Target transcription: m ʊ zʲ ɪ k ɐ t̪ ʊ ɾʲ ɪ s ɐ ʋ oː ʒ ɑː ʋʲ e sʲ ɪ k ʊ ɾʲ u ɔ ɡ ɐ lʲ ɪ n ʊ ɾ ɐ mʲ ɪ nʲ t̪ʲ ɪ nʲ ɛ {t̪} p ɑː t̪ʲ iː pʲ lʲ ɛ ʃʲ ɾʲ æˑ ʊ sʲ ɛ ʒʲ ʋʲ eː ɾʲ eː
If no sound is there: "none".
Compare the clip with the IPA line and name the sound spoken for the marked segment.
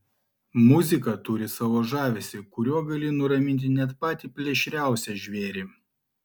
t̪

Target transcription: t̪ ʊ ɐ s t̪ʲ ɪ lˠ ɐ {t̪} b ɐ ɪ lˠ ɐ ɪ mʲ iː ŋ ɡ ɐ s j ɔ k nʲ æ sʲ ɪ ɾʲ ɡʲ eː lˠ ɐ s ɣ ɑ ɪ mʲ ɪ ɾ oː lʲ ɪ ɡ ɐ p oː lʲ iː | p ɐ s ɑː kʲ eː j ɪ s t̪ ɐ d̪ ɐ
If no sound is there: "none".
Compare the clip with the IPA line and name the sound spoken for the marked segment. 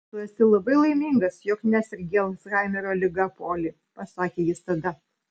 none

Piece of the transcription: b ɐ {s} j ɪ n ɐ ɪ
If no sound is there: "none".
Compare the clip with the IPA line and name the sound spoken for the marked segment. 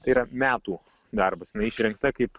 s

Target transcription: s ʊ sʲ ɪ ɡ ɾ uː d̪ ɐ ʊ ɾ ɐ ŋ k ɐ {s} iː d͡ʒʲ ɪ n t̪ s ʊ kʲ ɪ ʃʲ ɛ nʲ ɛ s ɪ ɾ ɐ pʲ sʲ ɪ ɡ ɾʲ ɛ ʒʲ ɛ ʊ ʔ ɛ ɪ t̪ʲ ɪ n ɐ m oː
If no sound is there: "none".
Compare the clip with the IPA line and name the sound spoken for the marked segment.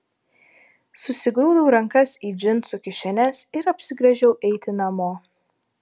s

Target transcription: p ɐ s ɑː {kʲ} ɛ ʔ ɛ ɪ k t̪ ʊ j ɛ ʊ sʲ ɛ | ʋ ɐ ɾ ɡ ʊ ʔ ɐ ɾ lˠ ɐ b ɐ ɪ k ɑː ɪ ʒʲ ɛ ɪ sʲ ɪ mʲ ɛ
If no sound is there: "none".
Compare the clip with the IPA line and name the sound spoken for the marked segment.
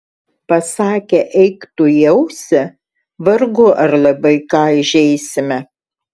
kʲ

